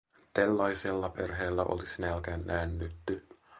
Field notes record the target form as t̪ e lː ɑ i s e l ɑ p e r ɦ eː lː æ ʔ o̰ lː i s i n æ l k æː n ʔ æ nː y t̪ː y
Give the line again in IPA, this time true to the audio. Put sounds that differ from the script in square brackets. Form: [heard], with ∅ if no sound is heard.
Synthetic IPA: t̪ e lː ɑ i s e [lː] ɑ p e r ɦ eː lː æ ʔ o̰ [l] i s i n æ l k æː n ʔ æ nː y t̪ː y

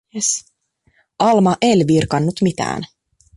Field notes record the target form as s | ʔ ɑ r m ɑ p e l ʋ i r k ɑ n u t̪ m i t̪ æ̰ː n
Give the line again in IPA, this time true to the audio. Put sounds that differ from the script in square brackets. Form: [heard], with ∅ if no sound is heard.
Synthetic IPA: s | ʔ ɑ [l] m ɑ [ʔ] e l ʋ i r k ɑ [nː] u t̪ m i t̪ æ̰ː n

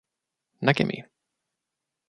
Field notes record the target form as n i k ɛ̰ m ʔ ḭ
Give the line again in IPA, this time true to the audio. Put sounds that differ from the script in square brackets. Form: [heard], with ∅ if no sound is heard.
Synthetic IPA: n [a] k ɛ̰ m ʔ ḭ

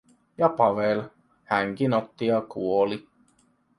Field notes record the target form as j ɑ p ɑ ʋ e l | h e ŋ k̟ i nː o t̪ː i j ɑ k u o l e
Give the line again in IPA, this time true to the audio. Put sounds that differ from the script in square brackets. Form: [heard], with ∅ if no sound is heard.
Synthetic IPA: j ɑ p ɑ ʋ e l | h [æ] ŋ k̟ i [n] o t̪ː i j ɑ k u o l [i]

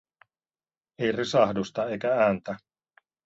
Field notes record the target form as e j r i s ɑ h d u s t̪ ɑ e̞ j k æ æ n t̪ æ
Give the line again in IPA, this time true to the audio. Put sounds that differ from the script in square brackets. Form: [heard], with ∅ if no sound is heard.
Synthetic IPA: e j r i s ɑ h d u s t̪ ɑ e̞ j k æ [æː] n t̪ æ

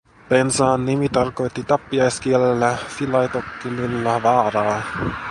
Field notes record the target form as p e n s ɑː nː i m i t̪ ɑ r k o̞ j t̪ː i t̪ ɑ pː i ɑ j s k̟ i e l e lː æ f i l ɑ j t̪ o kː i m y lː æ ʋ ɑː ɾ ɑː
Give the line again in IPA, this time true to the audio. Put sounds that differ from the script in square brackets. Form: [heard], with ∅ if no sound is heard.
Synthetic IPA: p e n s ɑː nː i m i t̪ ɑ r k o̞ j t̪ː i t̪ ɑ pː i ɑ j s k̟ i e l e lː æ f i l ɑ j t̪ o kː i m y lː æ ʋ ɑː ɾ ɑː

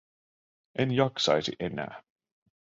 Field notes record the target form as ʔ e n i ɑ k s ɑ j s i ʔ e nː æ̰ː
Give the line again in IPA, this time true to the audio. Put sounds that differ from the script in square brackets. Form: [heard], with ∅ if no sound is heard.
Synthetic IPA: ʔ e n [j] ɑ k s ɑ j s i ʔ e [n] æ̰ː

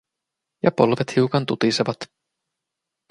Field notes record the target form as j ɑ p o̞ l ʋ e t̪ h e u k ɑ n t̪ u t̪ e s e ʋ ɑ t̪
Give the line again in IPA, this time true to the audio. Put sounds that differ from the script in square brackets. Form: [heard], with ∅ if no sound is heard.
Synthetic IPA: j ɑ p o̞ l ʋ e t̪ h [i] u k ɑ n t̪ u t̪ [i] s e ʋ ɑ t̪

